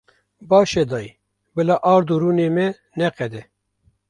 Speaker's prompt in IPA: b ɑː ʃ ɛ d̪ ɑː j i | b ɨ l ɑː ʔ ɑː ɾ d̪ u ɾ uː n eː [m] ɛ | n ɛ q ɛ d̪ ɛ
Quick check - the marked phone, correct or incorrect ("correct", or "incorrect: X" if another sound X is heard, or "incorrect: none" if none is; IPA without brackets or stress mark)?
correct